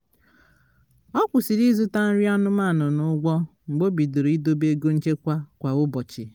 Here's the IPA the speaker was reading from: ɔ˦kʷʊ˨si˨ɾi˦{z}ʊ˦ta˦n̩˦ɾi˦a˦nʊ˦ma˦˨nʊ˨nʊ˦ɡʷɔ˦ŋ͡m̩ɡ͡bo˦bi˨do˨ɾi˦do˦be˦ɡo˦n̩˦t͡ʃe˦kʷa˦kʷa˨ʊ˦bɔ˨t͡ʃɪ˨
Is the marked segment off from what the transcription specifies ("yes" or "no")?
no